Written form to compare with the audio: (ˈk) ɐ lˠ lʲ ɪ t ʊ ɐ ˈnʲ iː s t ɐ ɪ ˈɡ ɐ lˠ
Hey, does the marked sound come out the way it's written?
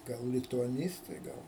no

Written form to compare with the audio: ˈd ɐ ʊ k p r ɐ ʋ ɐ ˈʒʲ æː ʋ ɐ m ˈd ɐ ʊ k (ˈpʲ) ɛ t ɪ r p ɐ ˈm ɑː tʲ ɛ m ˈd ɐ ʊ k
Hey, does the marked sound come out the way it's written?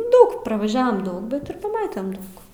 no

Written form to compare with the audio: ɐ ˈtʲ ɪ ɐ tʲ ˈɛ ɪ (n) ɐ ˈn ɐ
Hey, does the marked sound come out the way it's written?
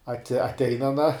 yes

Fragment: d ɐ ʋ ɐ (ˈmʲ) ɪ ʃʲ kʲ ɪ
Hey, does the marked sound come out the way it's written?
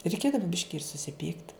no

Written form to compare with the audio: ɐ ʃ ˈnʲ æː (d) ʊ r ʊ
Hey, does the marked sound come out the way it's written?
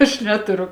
no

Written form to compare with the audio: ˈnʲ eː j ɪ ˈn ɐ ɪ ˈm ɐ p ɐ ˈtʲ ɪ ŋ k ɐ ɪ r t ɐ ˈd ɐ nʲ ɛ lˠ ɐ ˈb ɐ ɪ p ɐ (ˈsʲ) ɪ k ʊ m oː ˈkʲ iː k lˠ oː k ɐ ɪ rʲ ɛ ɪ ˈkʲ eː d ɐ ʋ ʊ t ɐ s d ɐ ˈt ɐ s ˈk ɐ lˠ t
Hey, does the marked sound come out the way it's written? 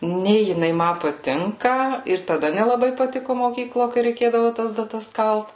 no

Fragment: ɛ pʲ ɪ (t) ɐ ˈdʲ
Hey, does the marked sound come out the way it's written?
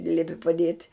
no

